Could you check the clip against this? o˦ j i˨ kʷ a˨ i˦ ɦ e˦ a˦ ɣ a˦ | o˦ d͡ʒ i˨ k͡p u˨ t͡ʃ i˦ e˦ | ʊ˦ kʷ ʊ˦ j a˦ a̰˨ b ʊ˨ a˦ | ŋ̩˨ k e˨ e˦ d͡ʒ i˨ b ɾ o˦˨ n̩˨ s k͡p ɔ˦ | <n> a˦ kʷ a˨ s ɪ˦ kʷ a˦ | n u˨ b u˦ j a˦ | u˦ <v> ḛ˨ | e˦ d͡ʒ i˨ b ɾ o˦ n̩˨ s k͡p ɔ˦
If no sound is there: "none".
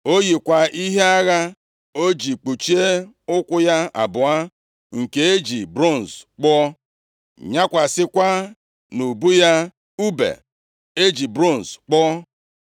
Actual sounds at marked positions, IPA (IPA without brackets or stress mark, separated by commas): ɲ, b